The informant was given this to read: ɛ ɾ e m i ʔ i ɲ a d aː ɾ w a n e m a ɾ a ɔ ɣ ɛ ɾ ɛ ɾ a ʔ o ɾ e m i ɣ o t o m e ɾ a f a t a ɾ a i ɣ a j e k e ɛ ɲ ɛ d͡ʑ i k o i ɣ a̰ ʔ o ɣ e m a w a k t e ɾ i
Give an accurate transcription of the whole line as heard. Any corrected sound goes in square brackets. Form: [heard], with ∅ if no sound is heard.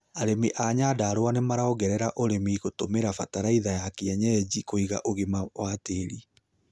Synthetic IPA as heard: [a] ɾ e m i ʔ [a] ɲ a d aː ɾ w a n e m a ɾ a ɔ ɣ ɛ ɾ ɛ ɾ a ʔ o ɾ e m i ɣ o t o m e ɾ a f a t a ɾ a i [ð] a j [a] k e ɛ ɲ ɛ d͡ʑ i k o i ɣ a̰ ʔ o ɣ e m a w a [∅] t e ɾ i